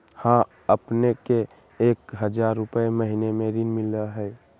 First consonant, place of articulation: glottal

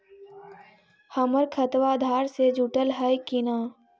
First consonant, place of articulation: glottal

